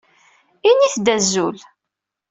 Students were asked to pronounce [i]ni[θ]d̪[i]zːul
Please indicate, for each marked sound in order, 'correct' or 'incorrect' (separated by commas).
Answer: correct, correct, incorrect